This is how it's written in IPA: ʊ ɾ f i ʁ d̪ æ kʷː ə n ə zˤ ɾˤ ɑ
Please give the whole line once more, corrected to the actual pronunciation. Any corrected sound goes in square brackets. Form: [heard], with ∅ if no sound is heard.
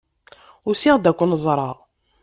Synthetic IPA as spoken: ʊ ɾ [s] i ʁ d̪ æ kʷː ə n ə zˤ ɾˤ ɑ